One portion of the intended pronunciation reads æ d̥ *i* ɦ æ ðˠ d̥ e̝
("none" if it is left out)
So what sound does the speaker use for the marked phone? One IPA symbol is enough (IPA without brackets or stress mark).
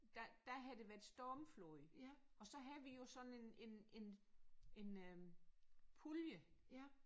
æ